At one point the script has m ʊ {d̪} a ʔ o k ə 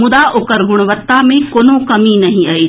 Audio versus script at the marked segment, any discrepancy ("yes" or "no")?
no